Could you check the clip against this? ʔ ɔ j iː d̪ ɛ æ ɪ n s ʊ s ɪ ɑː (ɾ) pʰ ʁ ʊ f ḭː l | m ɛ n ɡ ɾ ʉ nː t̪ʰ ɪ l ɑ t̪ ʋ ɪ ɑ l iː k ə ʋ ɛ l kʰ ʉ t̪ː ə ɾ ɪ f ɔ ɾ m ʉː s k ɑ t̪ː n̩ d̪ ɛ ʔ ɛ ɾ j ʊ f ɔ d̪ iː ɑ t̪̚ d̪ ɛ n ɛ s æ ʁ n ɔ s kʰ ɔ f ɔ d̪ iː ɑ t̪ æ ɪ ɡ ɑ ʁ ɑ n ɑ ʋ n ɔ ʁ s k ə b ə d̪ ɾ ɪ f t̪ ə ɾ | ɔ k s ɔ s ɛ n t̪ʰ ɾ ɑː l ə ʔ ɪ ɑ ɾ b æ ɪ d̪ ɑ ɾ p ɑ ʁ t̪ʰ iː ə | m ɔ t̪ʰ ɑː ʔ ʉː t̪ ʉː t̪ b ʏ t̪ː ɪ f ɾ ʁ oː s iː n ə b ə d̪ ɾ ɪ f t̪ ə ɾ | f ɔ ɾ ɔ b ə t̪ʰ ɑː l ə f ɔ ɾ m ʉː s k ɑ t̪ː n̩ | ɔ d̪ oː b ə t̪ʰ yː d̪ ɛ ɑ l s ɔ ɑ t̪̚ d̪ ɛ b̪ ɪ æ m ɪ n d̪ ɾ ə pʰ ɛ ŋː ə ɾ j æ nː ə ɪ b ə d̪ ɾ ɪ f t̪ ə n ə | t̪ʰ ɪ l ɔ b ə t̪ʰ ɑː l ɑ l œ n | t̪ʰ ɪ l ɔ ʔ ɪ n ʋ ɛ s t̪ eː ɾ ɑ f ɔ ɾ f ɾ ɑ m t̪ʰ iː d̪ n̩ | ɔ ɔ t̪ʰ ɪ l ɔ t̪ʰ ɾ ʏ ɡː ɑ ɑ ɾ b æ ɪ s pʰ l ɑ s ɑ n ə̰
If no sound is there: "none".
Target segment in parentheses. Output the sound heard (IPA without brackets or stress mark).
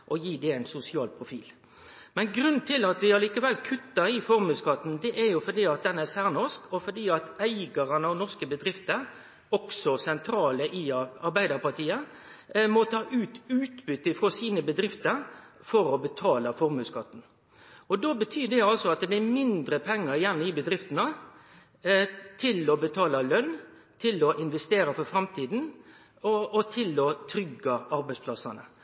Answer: l